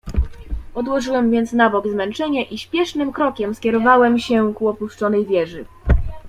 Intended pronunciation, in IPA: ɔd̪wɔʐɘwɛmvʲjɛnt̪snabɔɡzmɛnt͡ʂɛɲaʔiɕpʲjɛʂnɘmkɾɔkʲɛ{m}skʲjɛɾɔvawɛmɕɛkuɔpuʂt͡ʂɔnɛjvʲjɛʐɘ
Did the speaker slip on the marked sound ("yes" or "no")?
no